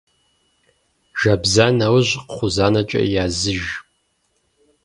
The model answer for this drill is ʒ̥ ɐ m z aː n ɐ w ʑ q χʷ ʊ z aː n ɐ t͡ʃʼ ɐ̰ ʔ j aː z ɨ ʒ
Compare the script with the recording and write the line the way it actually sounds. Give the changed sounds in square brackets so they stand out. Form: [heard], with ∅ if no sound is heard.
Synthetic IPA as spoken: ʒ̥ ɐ [b] z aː n ɐ w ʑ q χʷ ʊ z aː n ɐ t͡ʃʼ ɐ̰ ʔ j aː z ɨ ʒ